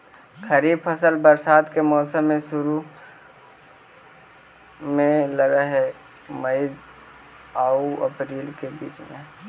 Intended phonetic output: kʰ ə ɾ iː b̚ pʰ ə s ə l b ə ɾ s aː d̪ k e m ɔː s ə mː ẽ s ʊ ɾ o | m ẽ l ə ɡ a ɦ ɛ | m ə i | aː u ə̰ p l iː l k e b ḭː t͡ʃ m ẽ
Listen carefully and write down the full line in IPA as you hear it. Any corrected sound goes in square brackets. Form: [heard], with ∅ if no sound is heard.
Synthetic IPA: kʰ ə ɾ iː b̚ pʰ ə s ə l b ə ɾ s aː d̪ k e m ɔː s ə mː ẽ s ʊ ɾ [u] | m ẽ l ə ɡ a ɦ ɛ | m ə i | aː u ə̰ p [ɾ] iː l k e b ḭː t͡ʃ m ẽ